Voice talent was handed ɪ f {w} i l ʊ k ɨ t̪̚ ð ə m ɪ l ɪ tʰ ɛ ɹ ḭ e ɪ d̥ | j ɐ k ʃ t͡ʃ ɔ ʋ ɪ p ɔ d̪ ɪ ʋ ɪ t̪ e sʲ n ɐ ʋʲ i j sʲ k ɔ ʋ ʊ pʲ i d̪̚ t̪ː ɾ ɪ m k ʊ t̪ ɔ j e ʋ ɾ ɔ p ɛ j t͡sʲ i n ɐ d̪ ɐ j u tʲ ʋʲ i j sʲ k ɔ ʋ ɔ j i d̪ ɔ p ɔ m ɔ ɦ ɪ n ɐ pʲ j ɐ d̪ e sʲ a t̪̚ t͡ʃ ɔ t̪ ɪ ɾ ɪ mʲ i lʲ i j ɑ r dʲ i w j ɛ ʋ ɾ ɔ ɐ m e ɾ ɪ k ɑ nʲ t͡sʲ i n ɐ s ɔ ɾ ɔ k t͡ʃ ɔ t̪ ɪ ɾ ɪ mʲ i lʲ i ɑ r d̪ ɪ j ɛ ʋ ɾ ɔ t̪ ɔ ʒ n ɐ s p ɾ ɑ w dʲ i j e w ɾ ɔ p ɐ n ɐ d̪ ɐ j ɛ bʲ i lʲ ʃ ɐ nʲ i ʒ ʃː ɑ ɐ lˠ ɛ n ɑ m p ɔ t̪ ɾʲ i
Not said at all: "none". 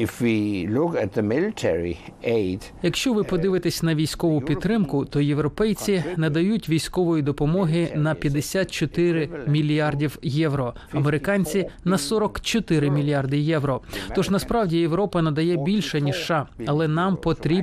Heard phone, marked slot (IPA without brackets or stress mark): w